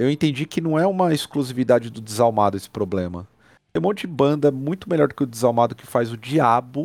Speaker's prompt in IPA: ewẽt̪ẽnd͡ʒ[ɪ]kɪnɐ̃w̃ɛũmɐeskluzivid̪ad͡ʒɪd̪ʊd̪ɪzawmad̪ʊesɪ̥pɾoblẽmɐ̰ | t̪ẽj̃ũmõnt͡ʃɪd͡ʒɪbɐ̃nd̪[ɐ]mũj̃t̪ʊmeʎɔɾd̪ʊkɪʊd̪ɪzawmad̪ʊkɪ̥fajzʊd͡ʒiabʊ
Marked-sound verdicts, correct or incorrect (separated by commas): incorrect, correct